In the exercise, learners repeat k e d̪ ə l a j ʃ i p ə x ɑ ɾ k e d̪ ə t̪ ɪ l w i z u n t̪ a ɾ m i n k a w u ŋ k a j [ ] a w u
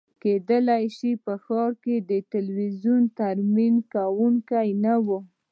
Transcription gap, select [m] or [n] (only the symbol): n